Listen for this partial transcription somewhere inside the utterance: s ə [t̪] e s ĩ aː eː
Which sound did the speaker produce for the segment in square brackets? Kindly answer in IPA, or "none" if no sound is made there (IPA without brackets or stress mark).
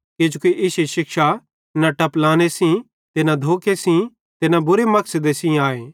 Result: d̪